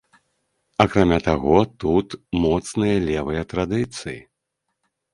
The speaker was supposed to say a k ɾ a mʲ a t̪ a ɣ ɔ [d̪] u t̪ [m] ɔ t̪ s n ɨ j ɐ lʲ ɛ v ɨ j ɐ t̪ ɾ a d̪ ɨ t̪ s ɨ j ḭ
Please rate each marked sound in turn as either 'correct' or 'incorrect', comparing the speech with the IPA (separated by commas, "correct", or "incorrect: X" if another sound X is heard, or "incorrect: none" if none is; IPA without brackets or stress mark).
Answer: incorrect: t̪, correct